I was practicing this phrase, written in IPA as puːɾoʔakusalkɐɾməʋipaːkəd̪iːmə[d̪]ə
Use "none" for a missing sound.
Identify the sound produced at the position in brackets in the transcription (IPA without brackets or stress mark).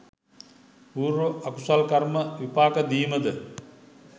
d̪